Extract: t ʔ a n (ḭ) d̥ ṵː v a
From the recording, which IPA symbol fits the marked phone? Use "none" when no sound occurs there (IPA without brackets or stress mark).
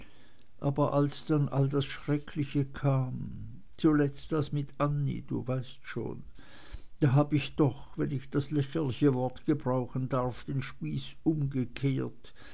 ḭ